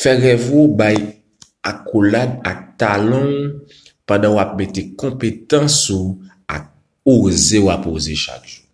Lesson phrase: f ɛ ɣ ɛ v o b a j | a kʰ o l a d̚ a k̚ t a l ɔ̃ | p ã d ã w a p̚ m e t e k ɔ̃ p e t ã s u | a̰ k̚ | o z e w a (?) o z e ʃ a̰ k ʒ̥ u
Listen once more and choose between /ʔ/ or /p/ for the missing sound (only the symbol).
p